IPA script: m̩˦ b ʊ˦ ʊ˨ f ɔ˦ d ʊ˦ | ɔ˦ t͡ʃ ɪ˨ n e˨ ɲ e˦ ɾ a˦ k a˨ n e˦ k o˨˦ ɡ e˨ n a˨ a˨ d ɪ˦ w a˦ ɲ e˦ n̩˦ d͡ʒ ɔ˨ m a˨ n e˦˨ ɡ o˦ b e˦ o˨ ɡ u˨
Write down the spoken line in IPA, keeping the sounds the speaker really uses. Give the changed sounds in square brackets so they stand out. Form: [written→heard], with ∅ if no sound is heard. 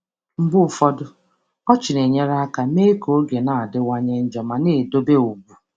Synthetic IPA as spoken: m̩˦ b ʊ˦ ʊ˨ f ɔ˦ d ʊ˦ | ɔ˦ t͡ʃ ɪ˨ n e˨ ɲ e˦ ɾ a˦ k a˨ [n→m] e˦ k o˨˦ ɡ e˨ n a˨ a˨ d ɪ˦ w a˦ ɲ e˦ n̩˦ d͡ʒ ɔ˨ m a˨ n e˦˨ [ɡ→d] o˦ b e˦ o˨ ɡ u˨